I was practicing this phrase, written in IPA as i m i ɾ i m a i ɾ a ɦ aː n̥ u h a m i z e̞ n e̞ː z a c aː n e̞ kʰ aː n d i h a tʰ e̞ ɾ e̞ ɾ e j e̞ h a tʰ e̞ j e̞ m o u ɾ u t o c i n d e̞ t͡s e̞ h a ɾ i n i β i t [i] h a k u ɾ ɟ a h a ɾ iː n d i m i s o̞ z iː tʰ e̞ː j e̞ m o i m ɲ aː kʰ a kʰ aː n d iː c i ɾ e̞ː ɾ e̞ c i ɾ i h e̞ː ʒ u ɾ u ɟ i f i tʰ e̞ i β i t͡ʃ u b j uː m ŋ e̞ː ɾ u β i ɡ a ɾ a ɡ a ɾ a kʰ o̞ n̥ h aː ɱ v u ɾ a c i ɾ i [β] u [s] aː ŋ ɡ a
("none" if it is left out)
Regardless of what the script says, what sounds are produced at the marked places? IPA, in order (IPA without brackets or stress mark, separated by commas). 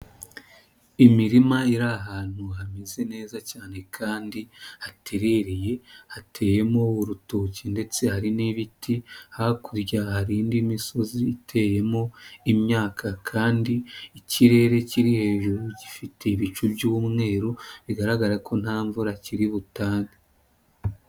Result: i, β, t